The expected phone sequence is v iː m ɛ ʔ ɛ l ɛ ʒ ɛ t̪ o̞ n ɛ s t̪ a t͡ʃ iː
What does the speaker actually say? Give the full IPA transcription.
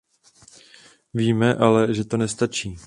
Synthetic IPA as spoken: v iː m ɛ ʔ a l ɛ ʒ ɛ t̪ o̞ n ɛ s t̪ a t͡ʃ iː